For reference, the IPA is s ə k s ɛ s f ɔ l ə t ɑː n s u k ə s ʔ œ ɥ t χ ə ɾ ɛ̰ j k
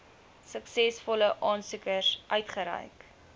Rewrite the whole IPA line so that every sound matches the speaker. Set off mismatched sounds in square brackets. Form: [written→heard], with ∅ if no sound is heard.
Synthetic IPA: s ə k s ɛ s f ɔ l ə [t→ʔ] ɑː n s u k ə s ʔ œ ɥ t χ ə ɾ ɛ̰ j k